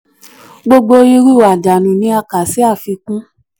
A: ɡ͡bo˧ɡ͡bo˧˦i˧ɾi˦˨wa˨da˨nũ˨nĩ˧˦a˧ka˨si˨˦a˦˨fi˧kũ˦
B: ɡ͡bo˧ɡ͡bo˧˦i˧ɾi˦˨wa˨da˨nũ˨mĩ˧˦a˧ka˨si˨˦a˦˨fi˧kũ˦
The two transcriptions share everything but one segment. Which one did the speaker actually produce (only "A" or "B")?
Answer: A